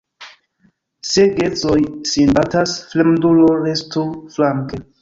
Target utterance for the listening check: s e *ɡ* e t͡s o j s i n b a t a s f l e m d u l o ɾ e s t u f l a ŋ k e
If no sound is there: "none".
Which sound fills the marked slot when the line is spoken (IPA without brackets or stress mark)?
ɡ